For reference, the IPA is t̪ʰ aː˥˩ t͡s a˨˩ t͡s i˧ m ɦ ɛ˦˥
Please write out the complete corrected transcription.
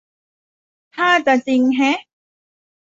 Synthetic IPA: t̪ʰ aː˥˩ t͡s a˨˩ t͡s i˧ ŋ ɦ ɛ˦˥